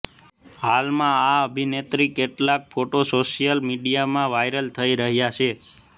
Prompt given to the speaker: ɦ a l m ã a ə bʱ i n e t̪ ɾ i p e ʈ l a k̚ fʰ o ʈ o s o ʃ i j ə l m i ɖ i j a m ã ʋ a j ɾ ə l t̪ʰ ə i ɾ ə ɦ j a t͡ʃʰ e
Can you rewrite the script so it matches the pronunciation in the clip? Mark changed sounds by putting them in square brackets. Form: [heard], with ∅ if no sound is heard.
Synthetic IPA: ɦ a l m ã a ə bʱ i n e t̪ ɾ i [k] e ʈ l a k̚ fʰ o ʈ o s o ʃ i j ə l m i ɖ i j a m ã ʋ a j ɾ ə l t̪ʰ ə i ɾ ə ɦ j a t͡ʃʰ e